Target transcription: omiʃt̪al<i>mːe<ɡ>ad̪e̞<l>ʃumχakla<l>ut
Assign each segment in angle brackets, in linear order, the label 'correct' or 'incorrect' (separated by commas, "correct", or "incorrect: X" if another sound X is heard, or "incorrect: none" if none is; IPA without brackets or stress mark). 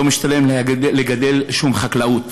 incorrect: e, correct, correct, incorrect: none